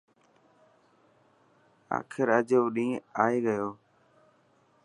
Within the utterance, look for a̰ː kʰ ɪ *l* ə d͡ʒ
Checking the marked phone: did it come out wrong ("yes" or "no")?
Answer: yes